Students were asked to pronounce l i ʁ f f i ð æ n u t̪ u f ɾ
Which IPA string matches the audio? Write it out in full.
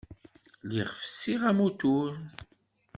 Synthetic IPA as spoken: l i ʁ f s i ʁ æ m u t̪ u ɾ